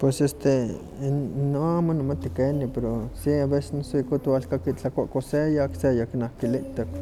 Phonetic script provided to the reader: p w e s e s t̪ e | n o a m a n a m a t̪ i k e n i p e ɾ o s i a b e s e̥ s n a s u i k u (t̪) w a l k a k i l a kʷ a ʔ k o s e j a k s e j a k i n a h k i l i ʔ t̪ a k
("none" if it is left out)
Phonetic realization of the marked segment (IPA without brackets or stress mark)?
t̪